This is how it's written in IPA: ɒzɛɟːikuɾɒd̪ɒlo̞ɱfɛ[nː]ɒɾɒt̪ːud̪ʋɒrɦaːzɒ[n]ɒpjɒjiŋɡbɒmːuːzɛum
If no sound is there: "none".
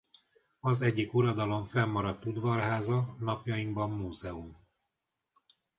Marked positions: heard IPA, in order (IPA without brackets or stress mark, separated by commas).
mː, n